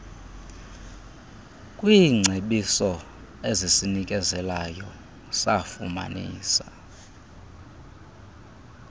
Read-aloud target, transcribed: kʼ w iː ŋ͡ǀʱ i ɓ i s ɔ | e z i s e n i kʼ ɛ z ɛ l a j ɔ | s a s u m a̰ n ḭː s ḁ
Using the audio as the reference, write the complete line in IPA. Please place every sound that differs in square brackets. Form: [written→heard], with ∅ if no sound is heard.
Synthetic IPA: kʼ w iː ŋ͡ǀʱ [i→e] ɓ i s ɔ | e z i s [e→i] n i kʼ ɛ z ɛ l a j ɔ | s a [s→f] u m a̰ n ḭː s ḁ